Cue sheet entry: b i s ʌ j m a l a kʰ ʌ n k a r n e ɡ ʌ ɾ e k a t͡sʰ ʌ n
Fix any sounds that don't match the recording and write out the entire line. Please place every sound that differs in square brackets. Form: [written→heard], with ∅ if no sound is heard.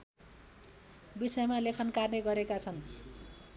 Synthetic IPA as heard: b i s ʌ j m a l [a→e] kʰ ʌ n k a r n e ɡ ʌ ɾ e k a t͡sʰ ʌ n